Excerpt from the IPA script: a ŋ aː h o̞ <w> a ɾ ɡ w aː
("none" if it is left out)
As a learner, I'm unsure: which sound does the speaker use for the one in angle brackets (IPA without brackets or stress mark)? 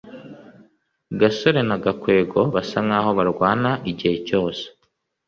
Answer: β